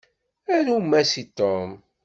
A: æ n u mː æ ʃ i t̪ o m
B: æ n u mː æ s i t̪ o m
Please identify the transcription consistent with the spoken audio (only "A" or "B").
B